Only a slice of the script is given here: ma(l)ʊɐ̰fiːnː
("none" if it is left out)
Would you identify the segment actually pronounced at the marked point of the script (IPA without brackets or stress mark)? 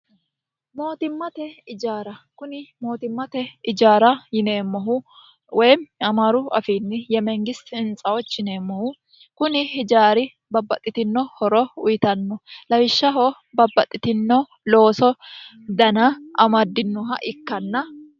ɾ